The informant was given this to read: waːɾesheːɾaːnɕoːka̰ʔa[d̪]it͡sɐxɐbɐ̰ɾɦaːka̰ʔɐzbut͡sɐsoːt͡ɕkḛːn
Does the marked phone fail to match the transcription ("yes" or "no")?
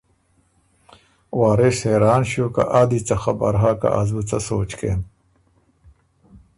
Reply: no